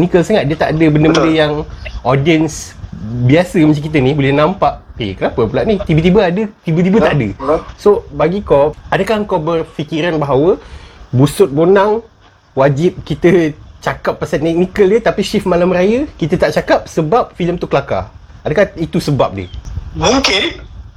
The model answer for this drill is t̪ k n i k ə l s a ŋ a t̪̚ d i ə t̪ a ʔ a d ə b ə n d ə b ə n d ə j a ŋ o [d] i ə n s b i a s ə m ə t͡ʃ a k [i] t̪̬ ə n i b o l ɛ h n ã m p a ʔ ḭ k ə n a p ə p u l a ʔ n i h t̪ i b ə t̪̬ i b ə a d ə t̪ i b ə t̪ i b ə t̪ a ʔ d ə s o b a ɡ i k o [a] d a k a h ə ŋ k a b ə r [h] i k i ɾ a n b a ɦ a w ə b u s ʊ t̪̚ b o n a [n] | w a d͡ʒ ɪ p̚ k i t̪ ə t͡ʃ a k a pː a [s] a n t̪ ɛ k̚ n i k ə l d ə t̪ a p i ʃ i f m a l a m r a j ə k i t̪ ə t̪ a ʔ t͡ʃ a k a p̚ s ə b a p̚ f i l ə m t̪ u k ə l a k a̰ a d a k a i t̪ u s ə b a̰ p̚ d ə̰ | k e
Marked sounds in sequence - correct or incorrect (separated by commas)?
correct, correct, correct, incorrect, incorrect, correct